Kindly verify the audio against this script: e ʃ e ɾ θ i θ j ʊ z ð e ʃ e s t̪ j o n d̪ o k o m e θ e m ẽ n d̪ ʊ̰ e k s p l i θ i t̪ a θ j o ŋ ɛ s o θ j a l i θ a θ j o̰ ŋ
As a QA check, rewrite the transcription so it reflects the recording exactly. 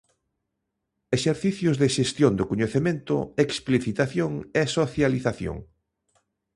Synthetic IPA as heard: e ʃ e ɾ θ i θ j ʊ z ð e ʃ e s t̪ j o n d̪ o k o ɲ e θ e m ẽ n t̪ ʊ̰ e k s p l i θ i t̪ a θ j o ŋ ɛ s o θ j a l i θ a θ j o̰ ŋ